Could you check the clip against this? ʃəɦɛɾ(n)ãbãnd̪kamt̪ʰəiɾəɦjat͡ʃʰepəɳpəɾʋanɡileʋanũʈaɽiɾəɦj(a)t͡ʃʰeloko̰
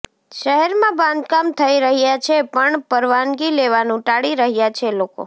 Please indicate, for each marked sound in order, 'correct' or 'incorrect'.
incorrect, correct

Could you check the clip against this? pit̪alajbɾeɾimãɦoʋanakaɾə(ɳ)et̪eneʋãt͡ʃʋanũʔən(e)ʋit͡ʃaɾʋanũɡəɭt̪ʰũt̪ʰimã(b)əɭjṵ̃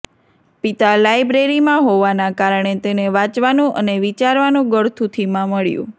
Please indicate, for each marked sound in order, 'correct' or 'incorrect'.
correct, correct, incorrect

